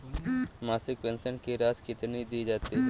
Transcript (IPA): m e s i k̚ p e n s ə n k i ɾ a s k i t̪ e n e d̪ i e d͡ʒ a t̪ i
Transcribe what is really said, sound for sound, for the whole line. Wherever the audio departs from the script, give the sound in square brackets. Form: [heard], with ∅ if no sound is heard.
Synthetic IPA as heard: m [a] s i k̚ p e n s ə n k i ɾ a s k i t̪ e n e d̪ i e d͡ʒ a t̪ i